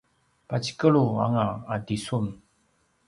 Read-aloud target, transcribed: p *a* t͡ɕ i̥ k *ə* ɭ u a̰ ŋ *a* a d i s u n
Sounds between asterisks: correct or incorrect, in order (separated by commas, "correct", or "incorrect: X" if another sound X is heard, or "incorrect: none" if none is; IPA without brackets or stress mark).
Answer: correct, correct, correct